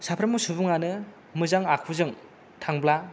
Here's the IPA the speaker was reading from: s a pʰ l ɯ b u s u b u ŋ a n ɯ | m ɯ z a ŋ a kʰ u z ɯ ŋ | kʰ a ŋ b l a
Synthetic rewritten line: s a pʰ ɾ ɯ m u s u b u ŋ a n ɯ | m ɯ z a ŋ a kʰ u z ɯ ŋ | tʰ a ŋ b l a